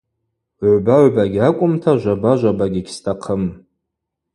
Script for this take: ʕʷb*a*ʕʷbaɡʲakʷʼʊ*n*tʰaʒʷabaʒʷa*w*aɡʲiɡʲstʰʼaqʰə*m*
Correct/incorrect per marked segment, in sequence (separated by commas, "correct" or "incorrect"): correct, incorrect, incorrect, correct